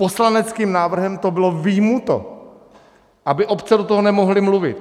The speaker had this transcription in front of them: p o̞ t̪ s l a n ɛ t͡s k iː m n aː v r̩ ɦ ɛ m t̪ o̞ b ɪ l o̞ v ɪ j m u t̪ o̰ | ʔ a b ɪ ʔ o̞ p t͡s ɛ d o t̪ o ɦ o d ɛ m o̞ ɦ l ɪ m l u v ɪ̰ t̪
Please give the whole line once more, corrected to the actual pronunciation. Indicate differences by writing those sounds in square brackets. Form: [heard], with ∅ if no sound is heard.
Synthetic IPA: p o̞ [∅] s l a n ɛ t͡s k iː m n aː v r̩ ɦ ɛ m t̪ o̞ b ɪ l o̞ v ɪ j m u t̪ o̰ | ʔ a b ɪ ʔ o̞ p t͡s ɛ d o t̪ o ɦ o [n] ɛ m o̞ ɦ l ɪ m l u v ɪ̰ t̪